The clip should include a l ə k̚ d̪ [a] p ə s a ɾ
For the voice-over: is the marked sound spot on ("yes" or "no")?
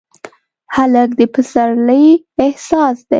no